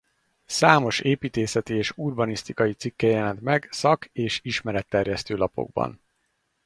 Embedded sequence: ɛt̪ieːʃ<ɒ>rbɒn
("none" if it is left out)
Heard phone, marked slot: u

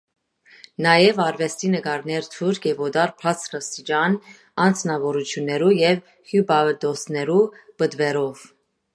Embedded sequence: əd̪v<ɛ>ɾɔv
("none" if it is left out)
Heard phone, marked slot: ɛ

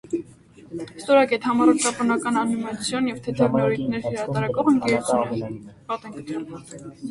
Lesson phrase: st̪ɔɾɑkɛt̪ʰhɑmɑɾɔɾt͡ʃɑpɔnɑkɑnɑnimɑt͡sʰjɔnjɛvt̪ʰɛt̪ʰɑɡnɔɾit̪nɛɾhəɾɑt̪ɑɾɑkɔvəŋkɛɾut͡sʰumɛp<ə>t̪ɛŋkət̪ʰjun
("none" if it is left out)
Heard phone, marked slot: ɑ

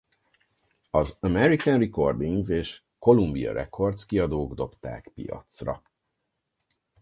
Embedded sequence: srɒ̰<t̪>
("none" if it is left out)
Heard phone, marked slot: none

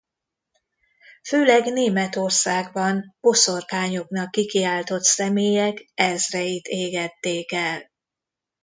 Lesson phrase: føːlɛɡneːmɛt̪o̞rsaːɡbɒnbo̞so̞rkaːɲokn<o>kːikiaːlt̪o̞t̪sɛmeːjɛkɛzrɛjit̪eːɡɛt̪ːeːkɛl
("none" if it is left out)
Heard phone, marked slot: ɒ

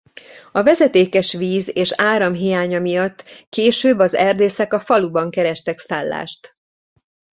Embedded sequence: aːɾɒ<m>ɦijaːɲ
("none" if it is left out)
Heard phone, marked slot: m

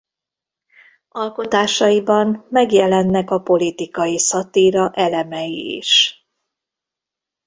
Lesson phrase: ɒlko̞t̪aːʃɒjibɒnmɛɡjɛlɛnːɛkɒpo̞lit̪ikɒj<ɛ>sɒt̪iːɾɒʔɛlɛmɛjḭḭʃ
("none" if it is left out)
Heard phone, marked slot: i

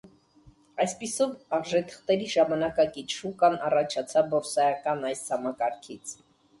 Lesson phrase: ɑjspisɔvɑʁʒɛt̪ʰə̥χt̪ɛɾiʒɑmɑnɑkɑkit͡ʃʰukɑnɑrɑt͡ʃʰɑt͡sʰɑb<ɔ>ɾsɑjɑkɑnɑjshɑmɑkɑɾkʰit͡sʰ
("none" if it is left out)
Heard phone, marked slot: ɔ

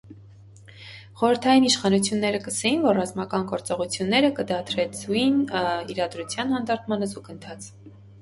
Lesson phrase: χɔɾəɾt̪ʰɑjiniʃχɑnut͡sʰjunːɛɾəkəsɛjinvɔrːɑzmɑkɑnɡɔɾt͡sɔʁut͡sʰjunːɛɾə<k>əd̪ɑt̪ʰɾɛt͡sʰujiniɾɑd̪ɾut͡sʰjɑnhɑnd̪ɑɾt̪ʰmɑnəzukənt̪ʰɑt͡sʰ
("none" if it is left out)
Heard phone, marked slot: k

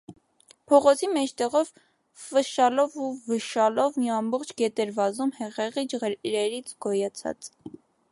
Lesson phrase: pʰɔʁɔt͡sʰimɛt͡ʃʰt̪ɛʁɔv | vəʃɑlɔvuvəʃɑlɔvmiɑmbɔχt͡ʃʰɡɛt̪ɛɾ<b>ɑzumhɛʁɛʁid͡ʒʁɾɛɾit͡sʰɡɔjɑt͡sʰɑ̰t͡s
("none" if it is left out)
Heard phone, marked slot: v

